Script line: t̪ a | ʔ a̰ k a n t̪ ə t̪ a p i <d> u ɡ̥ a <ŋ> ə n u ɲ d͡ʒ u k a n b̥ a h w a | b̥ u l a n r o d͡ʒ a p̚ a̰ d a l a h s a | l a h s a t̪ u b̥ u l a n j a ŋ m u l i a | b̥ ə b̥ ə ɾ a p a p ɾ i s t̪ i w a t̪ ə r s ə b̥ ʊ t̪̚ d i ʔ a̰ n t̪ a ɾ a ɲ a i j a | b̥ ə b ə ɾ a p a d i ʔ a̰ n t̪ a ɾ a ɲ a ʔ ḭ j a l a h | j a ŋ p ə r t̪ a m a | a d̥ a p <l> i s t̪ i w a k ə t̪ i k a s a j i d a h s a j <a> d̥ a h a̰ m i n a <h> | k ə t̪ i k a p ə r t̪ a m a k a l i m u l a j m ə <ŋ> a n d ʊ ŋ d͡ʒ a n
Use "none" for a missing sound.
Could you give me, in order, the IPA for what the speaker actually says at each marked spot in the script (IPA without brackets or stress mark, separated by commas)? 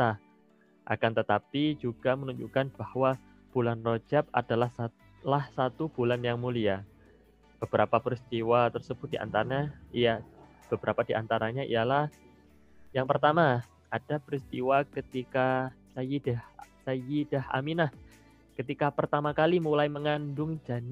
d͡ʒ, m, ɾ, i, h, ŋ